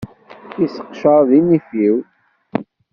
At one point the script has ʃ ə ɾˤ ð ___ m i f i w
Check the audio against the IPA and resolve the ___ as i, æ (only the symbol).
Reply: i